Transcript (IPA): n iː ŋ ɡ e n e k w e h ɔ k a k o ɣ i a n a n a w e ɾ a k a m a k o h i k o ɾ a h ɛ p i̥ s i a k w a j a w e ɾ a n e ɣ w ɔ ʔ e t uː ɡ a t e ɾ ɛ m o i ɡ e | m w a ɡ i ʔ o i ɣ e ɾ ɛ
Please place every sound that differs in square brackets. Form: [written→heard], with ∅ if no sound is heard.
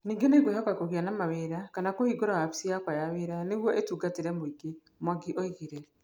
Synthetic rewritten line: n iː ŋ ɡ e n e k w e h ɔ k a k o ɣ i a n a [n→m] a w e ɾ a k a [m→n] a k o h i [k→ɡ] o ɾ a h [ɛ→a] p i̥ s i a k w a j a w e ɾ a n e ɣ w ɔ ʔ e t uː ɡ a t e ɾ ɛ m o i ɡ e | m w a ɡ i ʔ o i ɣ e ɾ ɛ